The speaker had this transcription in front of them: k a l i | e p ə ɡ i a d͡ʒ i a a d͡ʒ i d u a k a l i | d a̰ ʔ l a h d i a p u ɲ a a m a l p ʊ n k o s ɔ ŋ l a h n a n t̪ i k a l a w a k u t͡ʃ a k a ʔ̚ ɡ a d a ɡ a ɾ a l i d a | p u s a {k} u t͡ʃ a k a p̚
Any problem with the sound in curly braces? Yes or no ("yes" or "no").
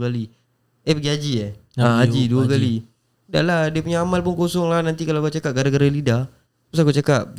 no